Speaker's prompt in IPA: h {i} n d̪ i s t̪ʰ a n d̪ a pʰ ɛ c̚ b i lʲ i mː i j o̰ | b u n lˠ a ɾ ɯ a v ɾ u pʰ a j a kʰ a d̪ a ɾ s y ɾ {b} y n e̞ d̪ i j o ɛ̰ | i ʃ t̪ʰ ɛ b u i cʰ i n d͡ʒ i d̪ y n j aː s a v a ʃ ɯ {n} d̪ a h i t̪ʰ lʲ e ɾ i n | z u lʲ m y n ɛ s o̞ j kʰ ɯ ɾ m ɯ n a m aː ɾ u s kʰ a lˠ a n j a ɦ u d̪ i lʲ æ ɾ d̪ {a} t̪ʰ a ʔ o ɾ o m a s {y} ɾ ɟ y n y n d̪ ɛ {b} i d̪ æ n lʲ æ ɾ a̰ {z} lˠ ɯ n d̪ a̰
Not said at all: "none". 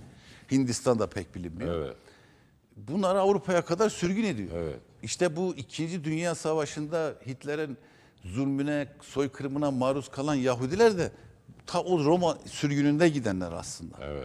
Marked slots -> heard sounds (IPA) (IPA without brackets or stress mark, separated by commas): i, ɟ, n, ɛ, y, ɟ, s